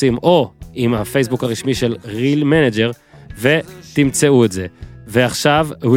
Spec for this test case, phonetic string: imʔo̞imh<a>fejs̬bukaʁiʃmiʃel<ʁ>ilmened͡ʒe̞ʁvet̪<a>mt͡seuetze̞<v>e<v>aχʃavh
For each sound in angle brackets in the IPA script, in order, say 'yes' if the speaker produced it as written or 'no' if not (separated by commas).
yes, yes, no, yes, no